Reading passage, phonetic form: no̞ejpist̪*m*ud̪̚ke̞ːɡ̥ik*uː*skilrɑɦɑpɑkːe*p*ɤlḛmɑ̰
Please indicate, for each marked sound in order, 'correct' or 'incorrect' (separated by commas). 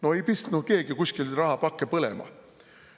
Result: incorrect, incorrect, correct